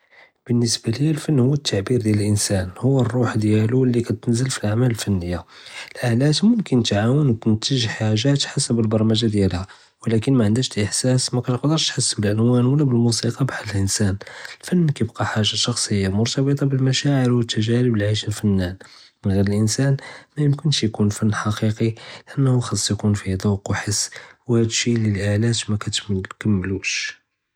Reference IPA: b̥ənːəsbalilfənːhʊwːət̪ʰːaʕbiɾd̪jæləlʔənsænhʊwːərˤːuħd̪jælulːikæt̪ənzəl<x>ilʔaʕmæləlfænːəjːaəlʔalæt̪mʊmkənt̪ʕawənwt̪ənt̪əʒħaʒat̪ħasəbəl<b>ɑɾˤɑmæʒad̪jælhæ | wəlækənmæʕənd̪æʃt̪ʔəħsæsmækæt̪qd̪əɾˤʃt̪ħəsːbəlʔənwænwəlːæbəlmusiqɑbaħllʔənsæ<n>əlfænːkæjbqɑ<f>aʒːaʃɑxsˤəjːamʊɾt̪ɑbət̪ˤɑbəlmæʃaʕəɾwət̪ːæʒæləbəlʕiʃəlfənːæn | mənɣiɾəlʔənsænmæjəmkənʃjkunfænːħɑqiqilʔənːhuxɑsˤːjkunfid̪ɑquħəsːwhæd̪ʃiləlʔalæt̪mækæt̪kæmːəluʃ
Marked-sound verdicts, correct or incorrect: incorrect, correct, correct, incorrect

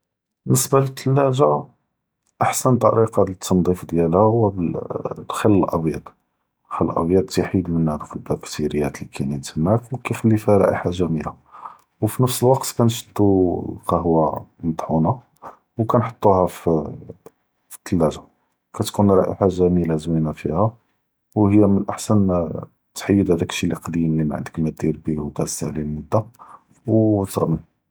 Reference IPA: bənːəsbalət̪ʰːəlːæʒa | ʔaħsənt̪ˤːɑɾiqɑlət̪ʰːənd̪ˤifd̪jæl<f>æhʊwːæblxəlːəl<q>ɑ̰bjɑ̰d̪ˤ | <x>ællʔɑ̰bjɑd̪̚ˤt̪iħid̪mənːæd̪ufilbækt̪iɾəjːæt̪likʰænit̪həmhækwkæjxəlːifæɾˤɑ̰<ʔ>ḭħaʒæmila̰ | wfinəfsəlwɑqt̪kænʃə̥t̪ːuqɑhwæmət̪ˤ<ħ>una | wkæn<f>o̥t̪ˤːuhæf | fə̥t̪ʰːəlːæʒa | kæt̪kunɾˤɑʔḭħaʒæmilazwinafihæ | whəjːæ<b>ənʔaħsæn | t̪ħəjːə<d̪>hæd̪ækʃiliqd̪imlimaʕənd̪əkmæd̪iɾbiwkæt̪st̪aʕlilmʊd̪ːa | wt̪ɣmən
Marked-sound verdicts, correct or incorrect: incorrect, incorrect, correct, correct, correct, incorrect, incorrect, correct

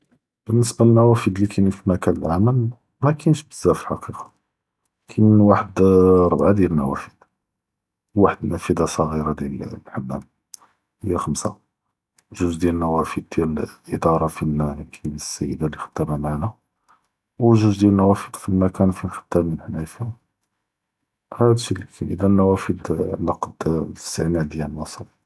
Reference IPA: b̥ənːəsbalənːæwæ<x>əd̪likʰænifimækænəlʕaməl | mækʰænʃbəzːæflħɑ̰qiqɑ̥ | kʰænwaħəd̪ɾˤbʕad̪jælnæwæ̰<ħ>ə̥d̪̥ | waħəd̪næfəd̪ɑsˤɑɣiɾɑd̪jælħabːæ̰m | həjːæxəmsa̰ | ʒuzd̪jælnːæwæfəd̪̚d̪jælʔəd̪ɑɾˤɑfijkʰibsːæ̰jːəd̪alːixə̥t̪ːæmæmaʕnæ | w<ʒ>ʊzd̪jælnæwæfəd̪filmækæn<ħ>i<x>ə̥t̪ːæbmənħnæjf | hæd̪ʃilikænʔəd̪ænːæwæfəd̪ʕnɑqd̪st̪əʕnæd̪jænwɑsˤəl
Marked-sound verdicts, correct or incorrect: incorrect, incorrect, correct, incorrect, correct

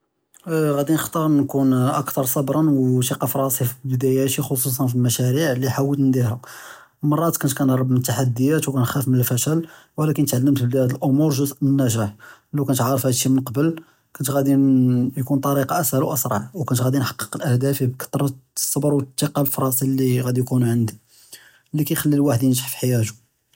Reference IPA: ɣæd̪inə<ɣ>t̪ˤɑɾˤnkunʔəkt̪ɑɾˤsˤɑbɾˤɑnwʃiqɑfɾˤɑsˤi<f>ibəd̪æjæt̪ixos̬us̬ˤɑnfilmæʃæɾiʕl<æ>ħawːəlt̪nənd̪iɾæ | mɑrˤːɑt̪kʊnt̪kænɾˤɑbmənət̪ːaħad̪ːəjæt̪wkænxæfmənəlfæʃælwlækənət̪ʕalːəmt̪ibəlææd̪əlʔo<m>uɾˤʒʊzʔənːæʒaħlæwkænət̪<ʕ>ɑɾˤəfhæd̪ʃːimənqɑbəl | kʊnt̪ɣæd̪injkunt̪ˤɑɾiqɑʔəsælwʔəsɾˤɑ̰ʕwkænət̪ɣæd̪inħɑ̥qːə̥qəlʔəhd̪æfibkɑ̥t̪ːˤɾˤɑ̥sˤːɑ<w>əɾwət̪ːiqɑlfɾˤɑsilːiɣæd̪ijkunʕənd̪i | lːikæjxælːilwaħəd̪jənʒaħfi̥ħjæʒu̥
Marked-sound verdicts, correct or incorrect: incorrect, correct, incorrect, correct, correct, incorrect

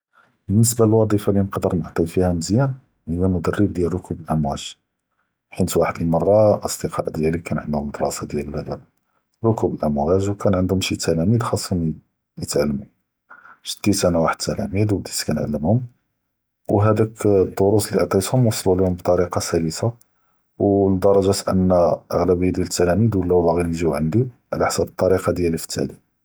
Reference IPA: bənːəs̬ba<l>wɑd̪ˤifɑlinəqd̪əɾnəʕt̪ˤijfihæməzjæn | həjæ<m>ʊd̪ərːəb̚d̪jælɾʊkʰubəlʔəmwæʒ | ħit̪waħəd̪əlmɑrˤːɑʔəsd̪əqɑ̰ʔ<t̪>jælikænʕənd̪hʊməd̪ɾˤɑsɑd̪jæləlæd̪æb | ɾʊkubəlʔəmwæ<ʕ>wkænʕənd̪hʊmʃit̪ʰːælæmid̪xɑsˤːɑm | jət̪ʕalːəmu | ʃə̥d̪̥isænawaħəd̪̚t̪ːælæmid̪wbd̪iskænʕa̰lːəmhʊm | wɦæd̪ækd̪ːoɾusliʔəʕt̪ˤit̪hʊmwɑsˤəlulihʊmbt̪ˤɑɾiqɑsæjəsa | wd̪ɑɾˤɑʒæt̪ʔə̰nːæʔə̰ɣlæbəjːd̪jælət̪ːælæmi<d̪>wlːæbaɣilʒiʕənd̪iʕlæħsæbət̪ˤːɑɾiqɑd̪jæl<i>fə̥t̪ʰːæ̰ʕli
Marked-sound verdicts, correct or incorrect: correct, correct, incorrect, incorrect, correct, correct

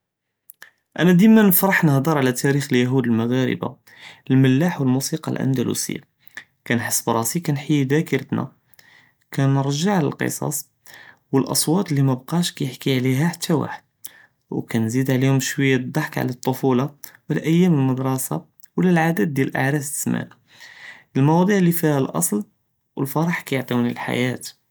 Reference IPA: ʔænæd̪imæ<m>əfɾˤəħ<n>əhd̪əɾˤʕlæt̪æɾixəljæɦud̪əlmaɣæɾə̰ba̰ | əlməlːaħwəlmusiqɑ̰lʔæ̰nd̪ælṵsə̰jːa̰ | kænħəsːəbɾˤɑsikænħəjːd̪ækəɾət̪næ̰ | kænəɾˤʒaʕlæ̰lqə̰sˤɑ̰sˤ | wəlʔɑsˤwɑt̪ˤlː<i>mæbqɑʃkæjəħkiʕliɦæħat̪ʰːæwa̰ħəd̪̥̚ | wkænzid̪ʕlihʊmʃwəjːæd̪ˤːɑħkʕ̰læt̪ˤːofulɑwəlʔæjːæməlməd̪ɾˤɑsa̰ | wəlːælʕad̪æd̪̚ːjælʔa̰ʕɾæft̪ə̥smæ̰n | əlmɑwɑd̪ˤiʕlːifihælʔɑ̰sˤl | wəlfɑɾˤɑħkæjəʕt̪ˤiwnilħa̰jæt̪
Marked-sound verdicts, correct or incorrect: incorrect, correct, correct

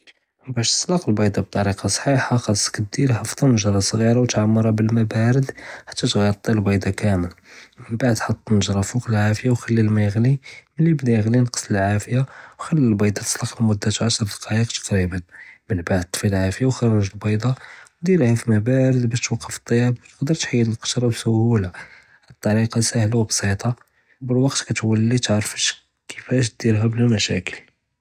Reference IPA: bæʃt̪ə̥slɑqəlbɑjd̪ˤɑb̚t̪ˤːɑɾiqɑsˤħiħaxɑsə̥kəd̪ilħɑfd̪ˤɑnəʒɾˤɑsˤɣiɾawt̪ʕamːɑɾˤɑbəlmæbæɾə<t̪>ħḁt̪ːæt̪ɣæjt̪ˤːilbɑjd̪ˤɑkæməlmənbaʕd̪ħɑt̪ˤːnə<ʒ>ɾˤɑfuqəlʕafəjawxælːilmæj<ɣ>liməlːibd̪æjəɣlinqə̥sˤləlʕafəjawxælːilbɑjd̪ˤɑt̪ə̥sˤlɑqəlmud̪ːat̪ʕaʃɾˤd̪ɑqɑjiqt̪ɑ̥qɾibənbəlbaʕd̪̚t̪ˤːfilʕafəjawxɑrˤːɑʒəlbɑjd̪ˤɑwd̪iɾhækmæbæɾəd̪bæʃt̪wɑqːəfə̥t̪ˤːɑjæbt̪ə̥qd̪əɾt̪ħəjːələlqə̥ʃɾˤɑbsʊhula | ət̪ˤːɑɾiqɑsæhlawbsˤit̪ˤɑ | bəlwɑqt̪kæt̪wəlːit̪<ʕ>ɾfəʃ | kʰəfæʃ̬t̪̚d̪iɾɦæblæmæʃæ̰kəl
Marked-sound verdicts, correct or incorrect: incorrect, correct, correct, correct

